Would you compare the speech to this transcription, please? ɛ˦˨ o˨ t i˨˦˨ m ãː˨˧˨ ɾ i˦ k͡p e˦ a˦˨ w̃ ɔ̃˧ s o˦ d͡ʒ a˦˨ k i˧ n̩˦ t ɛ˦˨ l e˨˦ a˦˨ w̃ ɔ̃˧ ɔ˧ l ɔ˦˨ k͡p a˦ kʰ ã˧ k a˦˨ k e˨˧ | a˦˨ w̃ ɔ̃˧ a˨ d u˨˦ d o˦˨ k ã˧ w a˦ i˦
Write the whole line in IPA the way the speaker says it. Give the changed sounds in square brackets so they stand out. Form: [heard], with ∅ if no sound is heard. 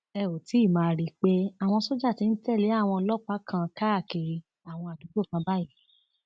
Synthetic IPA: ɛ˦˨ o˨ t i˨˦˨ m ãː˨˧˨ ɾ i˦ k͡p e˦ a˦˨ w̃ ɔ̃˧ s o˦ d͡ʒ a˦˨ [t] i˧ n̩˦ t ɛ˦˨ l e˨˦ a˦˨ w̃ ɔ̃˧ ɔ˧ l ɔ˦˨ k͡p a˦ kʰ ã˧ k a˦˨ k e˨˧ | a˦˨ w̃ ɔ̃˧ a˨ d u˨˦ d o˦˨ k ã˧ [b] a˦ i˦